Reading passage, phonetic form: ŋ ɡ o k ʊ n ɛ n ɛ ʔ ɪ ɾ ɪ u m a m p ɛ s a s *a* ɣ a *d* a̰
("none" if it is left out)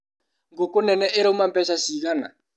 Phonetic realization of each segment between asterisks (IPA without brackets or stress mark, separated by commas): i, n